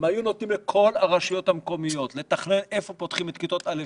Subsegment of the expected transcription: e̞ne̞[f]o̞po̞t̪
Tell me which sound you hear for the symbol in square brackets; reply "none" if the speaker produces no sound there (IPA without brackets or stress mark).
f